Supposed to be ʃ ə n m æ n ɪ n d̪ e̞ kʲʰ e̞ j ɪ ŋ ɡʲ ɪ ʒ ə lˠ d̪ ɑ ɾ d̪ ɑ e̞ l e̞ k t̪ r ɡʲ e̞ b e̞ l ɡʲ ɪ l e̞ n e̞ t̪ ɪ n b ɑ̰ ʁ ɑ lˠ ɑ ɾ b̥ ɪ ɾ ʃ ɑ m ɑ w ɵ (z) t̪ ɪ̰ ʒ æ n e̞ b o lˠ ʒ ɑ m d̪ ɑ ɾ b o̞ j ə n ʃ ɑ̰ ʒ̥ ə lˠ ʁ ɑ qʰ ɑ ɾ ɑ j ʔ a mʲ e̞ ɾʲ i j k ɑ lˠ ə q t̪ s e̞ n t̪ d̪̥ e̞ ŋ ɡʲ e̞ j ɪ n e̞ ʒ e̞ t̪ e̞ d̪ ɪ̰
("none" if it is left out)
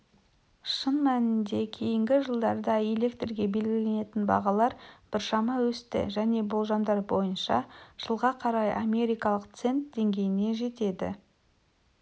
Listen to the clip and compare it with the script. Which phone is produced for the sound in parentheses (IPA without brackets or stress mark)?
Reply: s